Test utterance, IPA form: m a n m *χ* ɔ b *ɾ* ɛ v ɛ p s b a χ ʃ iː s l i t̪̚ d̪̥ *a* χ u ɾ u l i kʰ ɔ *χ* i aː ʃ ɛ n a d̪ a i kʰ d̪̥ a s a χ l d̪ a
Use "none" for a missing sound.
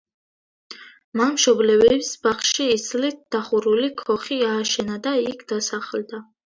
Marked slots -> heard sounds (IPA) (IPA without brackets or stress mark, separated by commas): ʃ, l, a, χ